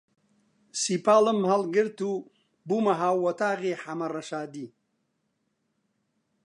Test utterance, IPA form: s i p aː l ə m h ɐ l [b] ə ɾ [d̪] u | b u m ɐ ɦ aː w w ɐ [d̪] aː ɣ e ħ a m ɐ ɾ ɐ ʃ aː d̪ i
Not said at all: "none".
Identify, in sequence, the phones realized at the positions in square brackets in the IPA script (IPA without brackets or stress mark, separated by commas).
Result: ɡ, t̪, t̪